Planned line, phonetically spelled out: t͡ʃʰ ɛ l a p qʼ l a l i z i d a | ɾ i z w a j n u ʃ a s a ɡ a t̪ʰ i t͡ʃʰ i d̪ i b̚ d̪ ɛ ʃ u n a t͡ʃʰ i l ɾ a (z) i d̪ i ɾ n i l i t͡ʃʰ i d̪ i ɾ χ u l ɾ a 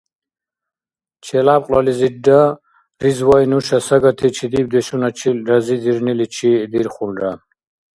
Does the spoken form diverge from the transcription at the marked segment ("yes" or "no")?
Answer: no